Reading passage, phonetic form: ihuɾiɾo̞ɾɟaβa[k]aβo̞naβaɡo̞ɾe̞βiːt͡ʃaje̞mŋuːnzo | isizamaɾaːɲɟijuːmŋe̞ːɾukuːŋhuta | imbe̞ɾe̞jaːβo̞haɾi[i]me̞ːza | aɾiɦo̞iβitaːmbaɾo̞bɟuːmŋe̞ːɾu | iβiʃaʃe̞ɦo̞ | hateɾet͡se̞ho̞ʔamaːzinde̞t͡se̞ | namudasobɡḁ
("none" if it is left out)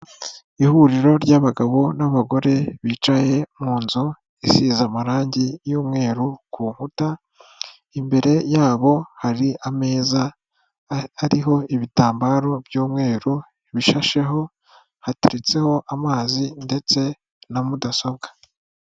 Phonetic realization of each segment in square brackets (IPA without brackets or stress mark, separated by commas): ɡ, a